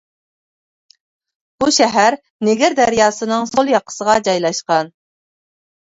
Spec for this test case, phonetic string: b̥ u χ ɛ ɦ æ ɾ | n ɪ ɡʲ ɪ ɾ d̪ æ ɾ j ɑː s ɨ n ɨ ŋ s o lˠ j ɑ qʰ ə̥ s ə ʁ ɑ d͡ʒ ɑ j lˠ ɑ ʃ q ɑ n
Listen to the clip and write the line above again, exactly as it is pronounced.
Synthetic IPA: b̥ u ʃ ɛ ɦ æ ɾ | n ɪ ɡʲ ɪ ɾ d̪ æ ɾ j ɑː s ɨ n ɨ ŋ s o lˠ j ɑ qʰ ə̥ s ə ʁ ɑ d͡ʒ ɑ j lˠ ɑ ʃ q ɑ n